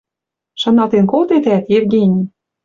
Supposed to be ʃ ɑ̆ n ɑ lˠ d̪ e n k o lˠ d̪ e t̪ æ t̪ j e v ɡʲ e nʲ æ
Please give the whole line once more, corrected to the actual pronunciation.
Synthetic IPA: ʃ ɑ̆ n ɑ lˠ t̪ e n k o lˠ t̪ e t̪ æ t̪ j e v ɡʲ e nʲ i